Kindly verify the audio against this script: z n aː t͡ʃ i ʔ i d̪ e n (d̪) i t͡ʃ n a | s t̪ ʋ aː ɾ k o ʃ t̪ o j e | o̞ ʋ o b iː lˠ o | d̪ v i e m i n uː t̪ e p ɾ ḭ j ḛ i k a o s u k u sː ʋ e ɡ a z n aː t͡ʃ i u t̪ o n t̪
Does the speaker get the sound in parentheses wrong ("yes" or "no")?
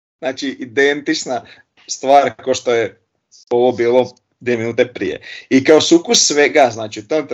yes